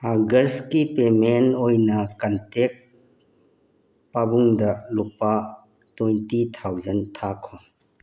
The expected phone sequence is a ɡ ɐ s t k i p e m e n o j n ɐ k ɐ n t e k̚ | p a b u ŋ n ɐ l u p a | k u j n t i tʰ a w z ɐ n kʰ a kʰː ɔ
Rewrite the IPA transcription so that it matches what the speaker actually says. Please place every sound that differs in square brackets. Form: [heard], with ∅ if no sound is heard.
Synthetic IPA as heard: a ɡ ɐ s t k i p e m e n o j n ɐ k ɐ n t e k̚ | p a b u ŋ [d] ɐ l u p a | [t] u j n t i tʰ a w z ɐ n [tʰ] a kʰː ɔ